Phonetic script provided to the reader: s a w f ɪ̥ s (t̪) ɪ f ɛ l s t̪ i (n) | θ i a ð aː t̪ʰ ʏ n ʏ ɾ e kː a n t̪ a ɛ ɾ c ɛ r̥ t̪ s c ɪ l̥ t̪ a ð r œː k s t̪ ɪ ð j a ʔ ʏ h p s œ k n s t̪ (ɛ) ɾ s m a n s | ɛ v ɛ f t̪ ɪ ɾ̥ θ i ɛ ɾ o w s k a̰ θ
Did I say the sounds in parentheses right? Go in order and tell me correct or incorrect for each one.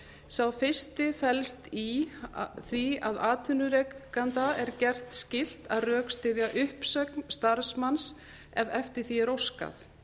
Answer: correct, incorrect: none, incorrect: a

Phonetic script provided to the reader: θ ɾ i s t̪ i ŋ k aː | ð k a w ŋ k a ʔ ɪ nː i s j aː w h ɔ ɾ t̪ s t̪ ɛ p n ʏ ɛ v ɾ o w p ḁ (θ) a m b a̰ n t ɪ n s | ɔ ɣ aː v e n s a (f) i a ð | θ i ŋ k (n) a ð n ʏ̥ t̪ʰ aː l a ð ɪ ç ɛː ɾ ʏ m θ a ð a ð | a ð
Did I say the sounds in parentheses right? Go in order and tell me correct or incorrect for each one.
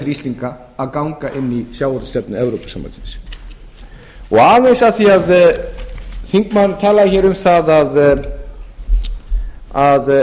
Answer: incorrect: s, incorrect: θ, incorrect: m

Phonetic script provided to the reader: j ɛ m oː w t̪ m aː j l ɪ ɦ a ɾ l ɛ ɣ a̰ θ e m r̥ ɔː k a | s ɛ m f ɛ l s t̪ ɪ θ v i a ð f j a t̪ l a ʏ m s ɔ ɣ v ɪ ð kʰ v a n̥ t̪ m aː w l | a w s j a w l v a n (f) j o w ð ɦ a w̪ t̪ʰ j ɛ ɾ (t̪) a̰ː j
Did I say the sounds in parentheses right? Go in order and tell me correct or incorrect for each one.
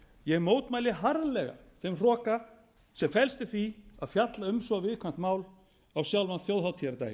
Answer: incorrect: θ, correct

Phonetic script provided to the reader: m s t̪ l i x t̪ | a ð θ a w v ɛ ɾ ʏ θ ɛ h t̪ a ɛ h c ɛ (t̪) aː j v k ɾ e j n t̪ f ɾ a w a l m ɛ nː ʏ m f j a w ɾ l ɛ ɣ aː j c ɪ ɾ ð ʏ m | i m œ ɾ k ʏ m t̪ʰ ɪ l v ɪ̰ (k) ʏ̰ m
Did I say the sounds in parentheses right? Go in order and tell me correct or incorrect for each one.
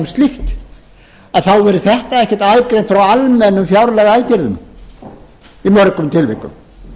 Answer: correct, correct

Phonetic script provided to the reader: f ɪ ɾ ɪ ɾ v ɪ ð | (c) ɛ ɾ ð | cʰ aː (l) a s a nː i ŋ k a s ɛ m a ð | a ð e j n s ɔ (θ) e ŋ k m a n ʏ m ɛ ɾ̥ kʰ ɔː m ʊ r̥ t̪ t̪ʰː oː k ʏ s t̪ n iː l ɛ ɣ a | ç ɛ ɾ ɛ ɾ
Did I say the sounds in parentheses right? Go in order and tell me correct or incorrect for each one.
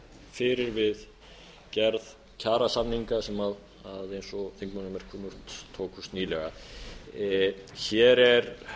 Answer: correct, incorrect: ɾ, correct

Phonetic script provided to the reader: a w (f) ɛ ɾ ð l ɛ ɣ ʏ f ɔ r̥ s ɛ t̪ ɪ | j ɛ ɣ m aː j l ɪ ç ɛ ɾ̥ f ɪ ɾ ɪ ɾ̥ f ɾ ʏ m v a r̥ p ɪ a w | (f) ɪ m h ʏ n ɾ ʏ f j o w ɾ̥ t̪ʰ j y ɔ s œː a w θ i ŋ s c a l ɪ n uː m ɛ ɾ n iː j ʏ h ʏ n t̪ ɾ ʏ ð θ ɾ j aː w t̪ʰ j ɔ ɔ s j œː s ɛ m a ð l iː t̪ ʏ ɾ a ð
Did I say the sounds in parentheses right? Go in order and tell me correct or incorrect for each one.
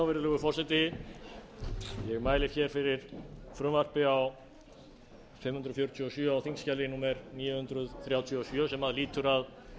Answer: incorrect: v, correct

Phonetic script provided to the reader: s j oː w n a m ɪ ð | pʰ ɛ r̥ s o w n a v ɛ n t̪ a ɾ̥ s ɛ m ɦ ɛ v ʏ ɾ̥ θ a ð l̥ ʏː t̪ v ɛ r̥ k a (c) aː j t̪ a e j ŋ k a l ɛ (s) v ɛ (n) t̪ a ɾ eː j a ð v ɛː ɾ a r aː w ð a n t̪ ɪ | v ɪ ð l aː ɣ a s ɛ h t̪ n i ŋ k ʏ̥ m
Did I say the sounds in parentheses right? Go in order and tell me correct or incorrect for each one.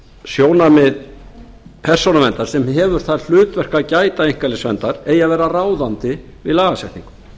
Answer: correct, correct, correct

